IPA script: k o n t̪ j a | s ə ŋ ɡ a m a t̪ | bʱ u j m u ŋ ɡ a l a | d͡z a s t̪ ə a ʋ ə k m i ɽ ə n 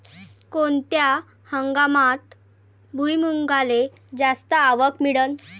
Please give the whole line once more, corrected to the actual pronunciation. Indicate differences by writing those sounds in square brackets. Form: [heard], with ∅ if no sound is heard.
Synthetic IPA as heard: k o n t̪ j a | [h] ə ŋ ɡ a m a t̪ | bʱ u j m u ŋ ɡ a l [e] | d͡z a s t̪ ə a ʋ ə k m i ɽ ə n